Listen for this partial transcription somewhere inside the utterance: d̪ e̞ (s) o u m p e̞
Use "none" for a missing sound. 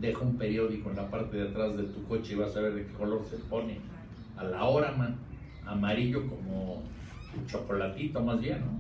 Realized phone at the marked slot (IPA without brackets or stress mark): x